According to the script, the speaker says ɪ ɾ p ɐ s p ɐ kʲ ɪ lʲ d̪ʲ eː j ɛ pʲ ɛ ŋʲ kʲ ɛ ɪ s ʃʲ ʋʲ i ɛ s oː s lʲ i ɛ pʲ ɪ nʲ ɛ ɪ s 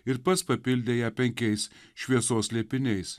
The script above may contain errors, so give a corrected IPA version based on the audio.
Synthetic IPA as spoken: ɪ ɾ p ɐ s p ɐ pʲ ɪ lʲ d̪ʲ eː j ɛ pʲ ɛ ŋʲ kʲ ɛ ɪ s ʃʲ ʋʲ i ɛ s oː s lʲ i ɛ pʲ ɪ nʲ ɛ ɪ s